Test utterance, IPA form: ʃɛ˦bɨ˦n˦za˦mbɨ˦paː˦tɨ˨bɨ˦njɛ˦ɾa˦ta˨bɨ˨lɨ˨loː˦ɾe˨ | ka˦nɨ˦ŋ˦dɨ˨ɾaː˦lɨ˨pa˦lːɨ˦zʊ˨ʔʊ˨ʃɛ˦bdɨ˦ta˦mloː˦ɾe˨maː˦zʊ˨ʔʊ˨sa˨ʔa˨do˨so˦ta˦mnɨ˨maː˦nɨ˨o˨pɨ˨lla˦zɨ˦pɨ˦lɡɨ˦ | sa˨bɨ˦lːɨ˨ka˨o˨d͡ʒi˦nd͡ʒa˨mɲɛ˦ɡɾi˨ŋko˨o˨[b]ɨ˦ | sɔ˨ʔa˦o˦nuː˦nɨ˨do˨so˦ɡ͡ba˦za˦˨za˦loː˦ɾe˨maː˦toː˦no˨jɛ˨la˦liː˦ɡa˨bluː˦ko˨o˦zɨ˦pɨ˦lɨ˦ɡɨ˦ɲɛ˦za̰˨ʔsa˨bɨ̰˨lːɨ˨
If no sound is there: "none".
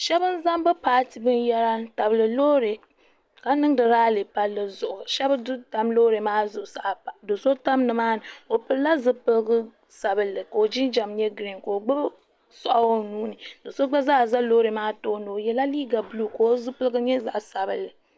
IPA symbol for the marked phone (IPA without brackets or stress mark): ɡ͡b